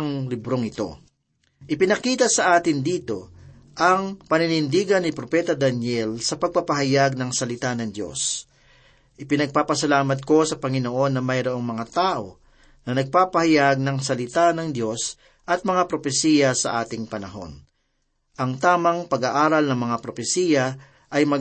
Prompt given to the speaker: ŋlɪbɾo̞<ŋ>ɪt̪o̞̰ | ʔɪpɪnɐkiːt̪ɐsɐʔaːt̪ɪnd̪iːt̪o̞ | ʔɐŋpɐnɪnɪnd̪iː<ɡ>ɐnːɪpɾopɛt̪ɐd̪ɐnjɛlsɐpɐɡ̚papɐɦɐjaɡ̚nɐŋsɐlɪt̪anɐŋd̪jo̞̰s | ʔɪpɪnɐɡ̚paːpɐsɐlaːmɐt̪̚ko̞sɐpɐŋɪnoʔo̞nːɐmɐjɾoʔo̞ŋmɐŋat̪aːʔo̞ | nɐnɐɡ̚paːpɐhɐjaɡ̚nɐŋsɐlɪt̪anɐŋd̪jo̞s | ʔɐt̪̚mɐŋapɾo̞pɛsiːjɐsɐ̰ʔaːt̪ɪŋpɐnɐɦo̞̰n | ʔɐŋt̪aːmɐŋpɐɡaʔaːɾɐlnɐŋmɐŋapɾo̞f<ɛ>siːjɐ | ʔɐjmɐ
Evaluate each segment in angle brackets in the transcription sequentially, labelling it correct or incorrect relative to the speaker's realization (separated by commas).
correct, correct, correct